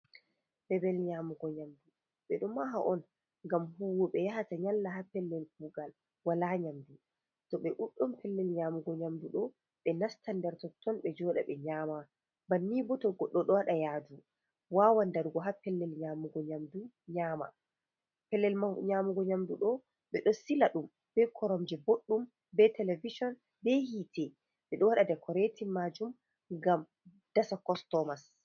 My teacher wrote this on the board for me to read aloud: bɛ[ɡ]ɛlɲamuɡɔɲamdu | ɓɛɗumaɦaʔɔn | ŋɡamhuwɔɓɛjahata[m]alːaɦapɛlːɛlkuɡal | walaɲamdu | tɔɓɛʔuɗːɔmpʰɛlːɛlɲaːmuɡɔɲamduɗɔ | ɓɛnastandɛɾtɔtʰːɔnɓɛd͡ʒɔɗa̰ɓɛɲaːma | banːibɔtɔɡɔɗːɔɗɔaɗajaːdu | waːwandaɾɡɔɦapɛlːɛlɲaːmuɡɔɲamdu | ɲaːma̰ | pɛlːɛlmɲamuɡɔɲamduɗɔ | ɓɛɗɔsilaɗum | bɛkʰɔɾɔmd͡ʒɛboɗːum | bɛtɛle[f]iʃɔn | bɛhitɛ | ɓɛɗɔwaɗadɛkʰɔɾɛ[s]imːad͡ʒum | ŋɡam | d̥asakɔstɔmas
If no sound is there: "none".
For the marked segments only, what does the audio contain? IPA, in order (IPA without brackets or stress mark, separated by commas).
b, ɲ, v, t